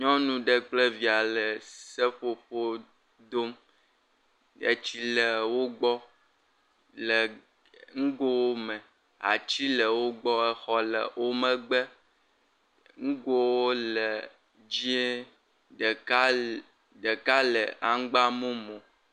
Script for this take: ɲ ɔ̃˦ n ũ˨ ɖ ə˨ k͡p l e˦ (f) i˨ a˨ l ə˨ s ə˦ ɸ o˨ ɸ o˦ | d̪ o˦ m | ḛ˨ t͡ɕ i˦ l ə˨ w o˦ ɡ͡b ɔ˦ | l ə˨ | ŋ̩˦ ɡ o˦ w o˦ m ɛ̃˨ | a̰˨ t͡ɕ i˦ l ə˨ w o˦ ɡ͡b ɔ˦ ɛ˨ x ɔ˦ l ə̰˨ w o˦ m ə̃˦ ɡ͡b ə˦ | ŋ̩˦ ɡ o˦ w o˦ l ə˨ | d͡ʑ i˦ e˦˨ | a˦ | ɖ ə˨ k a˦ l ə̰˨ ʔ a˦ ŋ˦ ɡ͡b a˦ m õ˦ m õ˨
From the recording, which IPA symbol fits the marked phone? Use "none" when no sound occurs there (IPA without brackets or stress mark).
v